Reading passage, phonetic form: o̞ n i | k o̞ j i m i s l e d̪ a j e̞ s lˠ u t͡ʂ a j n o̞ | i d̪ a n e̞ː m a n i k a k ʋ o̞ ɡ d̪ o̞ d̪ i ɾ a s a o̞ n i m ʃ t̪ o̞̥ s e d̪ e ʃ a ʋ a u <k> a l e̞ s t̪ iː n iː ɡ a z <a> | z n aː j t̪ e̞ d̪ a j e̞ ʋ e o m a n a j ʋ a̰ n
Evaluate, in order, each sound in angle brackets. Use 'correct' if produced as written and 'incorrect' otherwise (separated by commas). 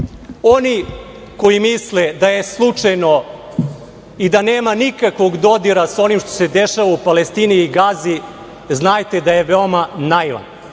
incorrect, incorrect